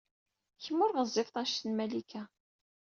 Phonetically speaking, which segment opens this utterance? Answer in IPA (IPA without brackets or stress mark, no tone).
ç